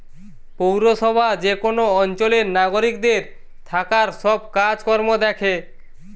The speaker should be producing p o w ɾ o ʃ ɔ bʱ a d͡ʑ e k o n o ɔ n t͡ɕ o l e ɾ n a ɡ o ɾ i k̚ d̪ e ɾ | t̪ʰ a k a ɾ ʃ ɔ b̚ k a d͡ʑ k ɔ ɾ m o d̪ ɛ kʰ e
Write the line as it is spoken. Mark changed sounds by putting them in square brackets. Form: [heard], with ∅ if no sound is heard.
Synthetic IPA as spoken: p o w ɾ o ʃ ɔ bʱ a d͡ʑ e k o n o ɔ n t͡ɕ o l e ɾ n a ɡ o ɾ i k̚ d̪ e ɾ | t̪ʰ a k a ɾ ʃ ɔ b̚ k a d͡ʑ k ɔ ɾ m o d̪ ɛ kʰ e